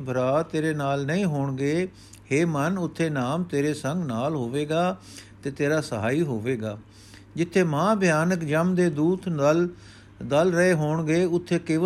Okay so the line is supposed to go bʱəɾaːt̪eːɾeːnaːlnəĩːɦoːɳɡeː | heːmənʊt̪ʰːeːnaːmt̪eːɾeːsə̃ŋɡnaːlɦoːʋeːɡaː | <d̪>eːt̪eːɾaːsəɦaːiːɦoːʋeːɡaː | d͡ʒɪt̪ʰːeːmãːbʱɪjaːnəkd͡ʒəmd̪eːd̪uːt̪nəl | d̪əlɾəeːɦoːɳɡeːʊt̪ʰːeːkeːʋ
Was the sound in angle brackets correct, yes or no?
no